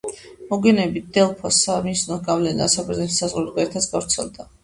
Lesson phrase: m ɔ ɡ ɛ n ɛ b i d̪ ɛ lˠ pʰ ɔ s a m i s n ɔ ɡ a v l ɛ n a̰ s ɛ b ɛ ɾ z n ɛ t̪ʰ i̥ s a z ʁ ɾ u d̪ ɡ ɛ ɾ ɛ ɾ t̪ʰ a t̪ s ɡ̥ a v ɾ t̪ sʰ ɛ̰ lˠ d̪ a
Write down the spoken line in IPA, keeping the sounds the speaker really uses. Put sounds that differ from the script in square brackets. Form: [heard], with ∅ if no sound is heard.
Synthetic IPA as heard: m ɔ ɡ ɛ n ɛ b i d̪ ɛ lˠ pʰ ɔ s a m i s n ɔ ɡ a v l ɛ n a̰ s [a] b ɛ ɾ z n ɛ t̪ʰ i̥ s a z ʁ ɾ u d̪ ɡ ɛ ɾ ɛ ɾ t̪ʰ a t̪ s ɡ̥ a v ɾ t̪ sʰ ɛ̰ lˠ d̪ a

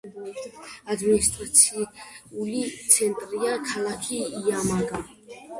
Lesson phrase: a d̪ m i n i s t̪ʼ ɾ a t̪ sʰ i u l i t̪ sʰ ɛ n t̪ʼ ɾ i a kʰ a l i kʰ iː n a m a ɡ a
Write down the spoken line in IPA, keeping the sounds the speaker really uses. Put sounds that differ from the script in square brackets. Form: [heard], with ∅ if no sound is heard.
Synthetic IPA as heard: a d̪ m i n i s t̪ʼ ɾ a t̪ sʰ i u l i t̪ sʰ ɛ n t̪ʼ ɾ i a kʰ a l [a] kʰ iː [∅] a m a ɡ a

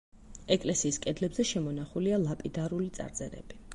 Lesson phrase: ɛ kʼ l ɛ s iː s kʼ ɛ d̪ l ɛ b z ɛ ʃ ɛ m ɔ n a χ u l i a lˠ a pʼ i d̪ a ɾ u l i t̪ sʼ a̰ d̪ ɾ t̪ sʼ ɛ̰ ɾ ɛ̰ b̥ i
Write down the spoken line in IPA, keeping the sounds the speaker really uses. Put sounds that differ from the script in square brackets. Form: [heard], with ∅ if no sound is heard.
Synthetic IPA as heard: ɛ kʼ l ɛ s iː s kʼ ɛ d̪ l ɛ b z ɛ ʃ ɛ m ɔ n a χ u l i a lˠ a pʼ i d̪ a ɾ u l i t̪ sʼ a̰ [∅] ɾ t̪ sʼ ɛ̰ ɾ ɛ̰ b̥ i

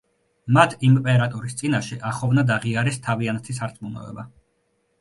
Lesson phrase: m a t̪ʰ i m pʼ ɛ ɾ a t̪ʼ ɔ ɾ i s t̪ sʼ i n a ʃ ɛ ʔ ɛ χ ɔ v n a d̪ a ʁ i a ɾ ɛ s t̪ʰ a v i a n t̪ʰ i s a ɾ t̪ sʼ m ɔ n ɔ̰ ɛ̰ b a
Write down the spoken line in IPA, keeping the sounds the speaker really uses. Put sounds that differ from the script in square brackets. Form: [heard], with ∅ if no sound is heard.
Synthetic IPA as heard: m a t̪ʰ i m pʼ ɛ ɾ a t̪ʼ ɔ ɾ i s t̪ sʼ i n a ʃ ɛ ʔ [a] χ ɔ v n a d̪ a ʁ i a ɾ ɛ s t̪ʰ a v i a n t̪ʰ i s a ɾ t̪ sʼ m [u] n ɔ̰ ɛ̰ b a

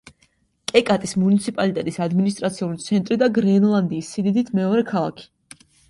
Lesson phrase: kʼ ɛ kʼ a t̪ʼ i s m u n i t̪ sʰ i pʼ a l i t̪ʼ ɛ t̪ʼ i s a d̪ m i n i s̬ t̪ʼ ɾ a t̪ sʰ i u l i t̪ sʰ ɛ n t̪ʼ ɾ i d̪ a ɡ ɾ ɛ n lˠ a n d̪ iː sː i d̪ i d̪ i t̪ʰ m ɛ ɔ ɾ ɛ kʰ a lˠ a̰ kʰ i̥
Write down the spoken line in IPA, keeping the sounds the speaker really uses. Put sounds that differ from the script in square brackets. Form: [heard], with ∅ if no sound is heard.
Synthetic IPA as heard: kʼ ɛ kʼ a t̪ʼ i s m u n i t̪ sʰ i pʼ a l i t̪ʼ ɛ t̪ʼ i s a d̪ m i n i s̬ t̪ʼ ɾ a t̪ sʰ i u l i t̪ sʰ ɛ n t̪ʼ ɾ i d̪ a ɡ ɾ ɛ n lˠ a n d̪ iː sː i d̪ i d̪ i t̪ʰ m ɛ ɔ ɾ ɛ kʰ a lˠ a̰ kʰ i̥

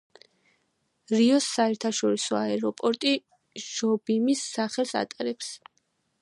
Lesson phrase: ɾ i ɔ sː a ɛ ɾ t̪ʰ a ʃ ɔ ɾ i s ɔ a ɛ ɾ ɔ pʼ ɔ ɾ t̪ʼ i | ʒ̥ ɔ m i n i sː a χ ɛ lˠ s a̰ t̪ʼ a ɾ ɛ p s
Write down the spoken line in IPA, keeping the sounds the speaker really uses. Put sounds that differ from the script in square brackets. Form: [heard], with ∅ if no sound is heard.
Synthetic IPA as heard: ɾ i ɔ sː a ɛ ɾ t̪ʰ a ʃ ɔ ɾ i s ɔ a ɛ ɾ ɔ pʼ ɔ ɾ t̪ʼ i | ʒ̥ ɔ [b] i [m] i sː a χ ɛ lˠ s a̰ t̪ʼ a ɾ ɛ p s

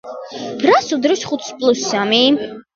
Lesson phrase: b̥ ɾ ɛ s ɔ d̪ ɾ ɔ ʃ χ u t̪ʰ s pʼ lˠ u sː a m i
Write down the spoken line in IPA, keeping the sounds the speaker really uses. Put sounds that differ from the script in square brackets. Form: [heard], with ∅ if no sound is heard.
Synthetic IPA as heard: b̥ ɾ [a] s [u] d̪ ɾ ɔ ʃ χ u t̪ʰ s pʼ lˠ u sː a m i

